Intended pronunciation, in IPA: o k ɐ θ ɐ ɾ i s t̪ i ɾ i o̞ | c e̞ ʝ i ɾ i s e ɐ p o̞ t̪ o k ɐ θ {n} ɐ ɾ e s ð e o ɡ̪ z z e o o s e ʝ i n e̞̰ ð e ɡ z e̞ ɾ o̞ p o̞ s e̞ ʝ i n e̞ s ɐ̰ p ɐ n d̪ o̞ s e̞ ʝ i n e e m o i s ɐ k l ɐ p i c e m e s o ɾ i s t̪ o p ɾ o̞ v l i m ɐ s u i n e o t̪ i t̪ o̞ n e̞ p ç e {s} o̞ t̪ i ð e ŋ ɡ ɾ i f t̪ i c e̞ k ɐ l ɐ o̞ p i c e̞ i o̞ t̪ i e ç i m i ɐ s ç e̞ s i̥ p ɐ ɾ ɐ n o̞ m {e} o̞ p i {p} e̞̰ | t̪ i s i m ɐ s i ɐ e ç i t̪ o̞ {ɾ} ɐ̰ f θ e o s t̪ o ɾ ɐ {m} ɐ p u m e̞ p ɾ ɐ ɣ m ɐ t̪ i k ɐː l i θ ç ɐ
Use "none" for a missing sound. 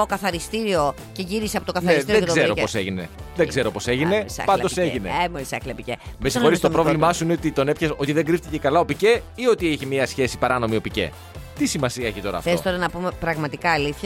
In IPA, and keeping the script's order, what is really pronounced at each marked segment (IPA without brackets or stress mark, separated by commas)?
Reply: n, s, i, c, ɾ, n